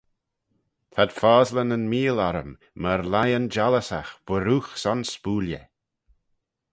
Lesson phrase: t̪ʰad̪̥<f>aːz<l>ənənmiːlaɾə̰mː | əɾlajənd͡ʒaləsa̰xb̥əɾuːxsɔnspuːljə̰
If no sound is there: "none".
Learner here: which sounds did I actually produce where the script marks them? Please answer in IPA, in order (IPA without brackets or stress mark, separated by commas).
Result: f, l